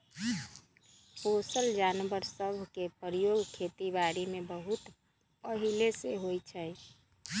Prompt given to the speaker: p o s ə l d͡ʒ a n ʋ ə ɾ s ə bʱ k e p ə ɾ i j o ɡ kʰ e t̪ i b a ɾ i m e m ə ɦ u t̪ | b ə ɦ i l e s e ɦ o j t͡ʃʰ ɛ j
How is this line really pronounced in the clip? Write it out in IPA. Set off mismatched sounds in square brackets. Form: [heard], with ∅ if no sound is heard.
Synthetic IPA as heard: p o s ə l d͡ʒ a n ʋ ə ɾ s ə bʱ k e p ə ɾ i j o ɡ kʰ e t̪ i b a ɾ i m e [b] ə ɦ u t̪ | [p] ə ɦ i l e s e ɦ o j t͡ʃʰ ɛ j